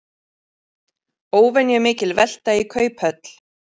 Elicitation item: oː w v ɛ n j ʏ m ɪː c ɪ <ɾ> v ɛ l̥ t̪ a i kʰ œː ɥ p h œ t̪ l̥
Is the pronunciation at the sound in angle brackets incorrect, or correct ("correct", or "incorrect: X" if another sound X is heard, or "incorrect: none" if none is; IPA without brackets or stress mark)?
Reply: incorrect: l